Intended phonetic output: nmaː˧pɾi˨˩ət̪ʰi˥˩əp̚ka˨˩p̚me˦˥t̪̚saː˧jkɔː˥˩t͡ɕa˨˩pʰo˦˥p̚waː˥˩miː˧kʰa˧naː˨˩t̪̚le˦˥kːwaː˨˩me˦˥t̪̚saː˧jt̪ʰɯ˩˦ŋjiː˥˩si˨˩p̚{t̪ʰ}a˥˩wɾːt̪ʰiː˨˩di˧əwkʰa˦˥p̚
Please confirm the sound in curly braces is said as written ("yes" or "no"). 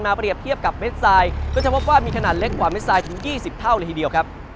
yes